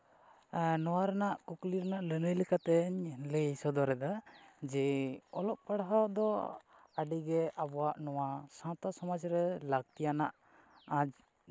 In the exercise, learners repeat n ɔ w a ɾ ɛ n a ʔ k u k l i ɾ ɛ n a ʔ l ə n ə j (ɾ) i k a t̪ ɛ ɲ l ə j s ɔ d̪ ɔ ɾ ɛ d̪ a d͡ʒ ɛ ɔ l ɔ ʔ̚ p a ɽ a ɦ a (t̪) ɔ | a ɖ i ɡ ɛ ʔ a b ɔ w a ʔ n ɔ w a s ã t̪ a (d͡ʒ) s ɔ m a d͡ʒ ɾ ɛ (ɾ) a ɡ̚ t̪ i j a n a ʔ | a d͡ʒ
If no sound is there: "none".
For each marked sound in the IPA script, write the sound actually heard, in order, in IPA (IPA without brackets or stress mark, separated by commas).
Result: l, d̪, none, l